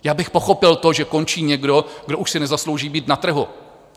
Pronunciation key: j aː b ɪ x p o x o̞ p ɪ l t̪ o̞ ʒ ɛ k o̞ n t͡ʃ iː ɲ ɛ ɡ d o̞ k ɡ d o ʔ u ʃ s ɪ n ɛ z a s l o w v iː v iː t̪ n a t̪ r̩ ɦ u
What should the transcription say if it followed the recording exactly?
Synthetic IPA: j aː b ɪ x p o x o̞ p ɪ l t̪ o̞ ʒ ɛ k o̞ n t͡ʃ iː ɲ ɛ ɡ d o̞ ɡ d o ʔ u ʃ s ɪ n ɛ z a s l o w ʒ iː b iː t̪ n a t̪ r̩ ɦ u